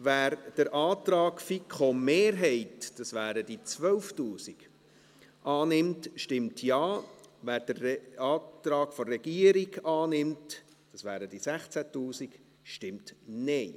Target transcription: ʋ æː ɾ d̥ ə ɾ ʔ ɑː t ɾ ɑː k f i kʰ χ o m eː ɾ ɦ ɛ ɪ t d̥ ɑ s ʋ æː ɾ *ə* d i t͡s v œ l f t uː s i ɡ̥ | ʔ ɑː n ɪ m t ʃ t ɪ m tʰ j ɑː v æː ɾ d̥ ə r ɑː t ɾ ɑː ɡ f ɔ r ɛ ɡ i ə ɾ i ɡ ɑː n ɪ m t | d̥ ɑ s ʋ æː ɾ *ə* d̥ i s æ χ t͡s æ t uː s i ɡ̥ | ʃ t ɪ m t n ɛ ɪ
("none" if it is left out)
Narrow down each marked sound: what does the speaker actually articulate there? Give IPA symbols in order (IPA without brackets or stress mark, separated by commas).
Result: ə, ə